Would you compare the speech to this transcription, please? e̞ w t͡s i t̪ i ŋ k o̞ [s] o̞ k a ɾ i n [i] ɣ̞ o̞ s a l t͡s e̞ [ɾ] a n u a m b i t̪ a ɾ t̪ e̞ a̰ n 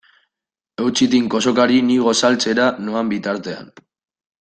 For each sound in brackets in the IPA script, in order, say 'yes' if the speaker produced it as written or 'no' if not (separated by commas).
yes, yes, yes